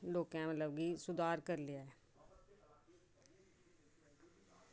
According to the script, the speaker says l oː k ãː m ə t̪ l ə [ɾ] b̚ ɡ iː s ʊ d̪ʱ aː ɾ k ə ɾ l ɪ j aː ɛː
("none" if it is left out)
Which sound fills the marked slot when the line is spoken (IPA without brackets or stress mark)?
none